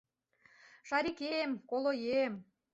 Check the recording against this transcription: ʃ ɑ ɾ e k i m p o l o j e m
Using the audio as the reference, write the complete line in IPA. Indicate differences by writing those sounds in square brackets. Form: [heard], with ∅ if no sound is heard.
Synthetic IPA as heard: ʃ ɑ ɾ [i] k [e] m [k] o l o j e m